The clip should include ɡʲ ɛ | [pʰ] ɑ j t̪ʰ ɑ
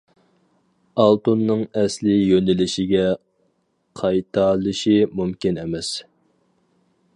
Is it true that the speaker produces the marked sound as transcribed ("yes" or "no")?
no